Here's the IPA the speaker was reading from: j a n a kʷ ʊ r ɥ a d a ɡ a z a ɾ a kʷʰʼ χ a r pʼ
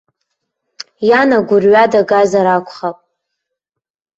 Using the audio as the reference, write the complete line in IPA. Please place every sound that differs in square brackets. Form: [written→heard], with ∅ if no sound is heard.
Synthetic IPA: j a n a [kʷ→ɡʷ] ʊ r ɥ a d a ɡ a z a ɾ a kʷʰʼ χ a [r→∅] pʼ